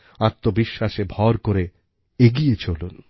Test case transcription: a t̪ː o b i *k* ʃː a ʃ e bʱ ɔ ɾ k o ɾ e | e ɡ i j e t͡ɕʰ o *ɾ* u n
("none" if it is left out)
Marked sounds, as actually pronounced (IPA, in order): none, l

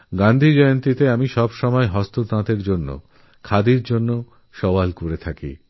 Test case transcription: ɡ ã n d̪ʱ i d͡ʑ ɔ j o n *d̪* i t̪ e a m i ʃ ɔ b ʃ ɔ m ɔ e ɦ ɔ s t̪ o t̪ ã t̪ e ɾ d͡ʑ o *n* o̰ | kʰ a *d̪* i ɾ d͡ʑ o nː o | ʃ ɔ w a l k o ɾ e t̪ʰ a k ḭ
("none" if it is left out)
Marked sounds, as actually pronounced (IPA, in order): t̪, nː, d̪

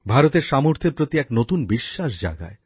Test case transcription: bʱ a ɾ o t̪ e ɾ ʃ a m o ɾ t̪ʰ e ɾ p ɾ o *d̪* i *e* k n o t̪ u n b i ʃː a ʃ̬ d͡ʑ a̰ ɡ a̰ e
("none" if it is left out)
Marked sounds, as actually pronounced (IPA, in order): t̪, ɛ

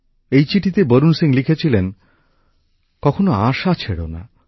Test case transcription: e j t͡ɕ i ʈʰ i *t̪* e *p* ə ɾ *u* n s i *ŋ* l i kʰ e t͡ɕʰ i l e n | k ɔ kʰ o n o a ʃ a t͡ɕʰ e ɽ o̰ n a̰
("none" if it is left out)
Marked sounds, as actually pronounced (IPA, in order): t̪, b, u, ŋ

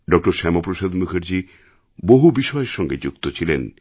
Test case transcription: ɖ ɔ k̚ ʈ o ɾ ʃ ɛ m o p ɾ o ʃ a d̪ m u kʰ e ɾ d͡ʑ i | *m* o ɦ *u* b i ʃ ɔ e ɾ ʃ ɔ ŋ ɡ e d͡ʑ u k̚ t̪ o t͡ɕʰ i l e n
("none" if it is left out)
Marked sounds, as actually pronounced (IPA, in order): b, u

